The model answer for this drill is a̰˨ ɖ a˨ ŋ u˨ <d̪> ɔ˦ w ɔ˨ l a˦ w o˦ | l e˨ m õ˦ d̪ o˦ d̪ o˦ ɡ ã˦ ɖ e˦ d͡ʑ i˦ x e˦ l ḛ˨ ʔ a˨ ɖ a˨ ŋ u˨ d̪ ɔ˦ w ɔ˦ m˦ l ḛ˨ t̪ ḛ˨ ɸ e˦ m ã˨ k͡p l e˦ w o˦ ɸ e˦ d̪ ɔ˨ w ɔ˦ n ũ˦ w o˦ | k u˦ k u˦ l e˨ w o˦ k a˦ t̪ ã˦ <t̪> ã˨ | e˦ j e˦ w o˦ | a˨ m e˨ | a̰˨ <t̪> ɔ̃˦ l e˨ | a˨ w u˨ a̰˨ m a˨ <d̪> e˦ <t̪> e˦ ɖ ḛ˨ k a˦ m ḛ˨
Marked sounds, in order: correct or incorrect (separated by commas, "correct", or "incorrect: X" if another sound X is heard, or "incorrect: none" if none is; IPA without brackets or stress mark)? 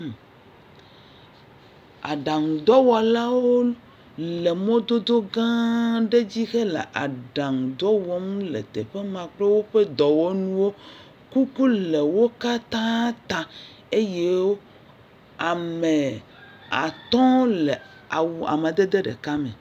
correct, correct, correct, correct, incorrect: d̪